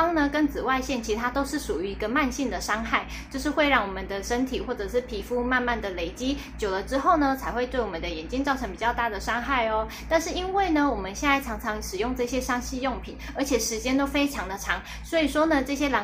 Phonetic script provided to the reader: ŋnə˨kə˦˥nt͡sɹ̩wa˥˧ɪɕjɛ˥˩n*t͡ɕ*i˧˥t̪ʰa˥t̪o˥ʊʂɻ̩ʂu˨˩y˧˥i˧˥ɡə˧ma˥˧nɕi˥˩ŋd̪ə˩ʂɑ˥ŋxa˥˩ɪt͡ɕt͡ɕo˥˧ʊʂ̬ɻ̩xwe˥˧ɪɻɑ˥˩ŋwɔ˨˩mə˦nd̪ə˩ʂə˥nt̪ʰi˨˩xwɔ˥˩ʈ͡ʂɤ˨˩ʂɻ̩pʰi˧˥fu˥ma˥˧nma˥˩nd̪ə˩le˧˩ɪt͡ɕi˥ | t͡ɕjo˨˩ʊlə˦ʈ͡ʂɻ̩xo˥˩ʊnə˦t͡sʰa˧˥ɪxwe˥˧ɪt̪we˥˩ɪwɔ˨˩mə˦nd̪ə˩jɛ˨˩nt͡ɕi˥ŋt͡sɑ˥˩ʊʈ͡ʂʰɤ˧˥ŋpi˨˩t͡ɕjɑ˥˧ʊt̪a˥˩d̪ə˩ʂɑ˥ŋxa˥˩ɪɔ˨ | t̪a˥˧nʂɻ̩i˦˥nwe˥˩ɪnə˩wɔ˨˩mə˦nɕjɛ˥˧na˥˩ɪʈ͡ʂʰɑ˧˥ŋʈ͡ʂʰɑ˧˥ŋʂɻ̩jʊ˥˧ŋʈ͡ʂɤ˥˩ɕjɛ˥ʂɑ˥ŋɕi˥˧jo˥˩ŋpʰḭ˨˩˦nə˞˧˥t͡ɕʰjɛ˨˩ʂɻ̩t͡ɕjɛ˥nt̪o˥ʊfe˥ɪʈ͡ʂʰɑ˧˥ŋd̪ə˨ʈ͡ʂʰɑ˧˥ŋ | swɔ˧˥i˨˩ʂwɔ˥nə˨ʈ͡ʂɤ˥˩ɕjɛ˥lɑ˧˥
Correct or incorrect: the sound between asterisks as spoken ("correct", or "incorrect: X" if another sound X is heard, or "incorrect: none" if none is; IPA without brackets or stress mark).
incorrect: t͡ɕʰ